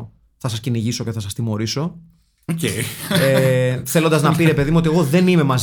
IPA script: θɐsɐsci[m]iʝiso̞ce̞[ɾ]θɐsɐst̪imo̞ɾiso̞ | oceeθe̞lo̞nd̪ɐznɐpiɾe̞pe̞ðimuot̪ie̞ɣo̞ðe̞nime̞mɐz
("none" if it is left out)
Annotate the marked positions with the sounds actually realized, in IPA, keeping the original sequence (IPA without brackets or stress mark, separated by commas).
n, none